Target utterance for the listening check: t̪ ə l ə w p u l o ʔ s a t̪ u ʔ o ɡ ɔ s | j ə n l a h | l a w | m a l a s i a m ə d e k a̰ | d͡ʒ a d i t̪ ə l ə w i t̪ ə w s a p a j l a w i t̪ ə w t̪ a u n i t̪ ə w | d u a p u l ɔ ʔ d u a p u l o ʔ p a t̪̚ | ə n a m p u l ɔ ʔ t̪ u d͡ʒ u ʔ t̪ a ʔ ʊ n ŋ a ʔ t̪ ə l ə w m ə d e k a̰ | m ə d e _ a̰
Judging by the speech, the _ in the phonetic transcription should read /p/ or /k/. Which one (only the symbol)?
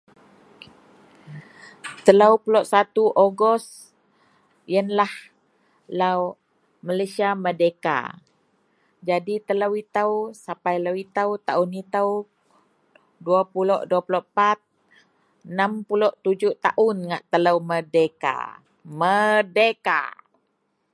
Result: k